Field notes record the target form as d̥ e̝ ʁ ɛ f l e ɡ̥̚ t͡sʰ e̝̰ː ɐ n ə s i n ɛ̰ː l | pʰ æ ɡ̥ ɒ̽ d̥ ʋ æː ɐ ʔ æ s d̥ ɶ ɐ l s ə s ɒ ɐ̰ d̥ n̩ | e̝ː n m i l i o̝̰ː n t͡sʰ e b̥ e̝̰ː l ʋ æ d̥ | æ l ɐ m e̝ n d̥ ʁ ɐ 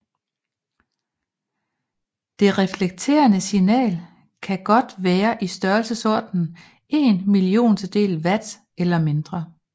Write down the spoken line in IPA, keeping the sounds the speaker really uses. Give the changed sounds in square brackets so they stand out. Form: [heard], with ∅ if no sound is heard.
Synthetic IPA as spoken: d̥ e̝ ʁ ɛ f l e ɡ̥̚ t͡sʰ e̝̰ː ɐ n ə s i n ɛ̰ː l | [kʰ] æ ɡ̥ ɒ̽ d̥ ʋ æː ɐ ʔ [i] s d̥ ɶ ɐ l s ə s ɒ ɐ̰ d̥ n̩ | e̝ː n m i l i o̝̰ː n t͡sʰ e [d̥] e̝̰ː l ʋ æ d̥ | [e] l ɐ m e̝ n d̥ ʁ ɐ